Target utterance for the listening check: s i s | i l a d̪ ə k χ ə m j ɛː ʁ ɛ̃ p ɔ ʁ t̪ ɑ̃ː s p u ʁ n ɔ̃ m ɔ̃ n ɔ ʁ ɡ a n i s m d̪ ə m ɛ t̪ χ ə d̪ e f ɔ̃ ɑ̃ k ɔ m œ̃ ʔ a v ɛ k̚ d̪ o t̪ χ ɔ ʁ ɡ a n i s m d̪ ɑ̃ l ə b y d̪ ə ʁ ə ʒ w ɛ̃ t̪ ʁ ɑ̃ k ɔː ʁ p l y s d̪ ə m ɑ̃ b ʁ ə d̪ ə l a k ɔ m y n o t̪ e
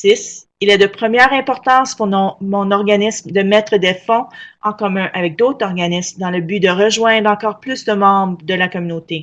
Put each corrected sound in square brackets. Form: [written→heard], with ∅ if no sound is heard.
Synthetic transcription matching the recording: s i s | i l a d̪ ə [k→p] χ ə m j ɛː ʁ ɛ̃ p ɔ ʁ t̪ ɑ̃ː s p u ʁ n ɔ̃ m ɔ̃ n ɔ ʁ ɡ a n i s m d̪ ə m ɛ t̪ χ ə d̪ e f ɔ̃ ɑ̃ k ɔ m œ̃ ʔ a v ɛ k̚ d̪ o t̪ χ ɔ ʁ ɡ a n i s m d̪ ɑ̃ l ə b y d̪ ə ʁ ə ʒ w ɛ̃ [t̪→d̪] ʁ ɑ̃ k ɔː ʁ p l y s d̪ ə m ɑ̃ b ʁ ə d̪ ə l a k ɔ m y n o t̪ e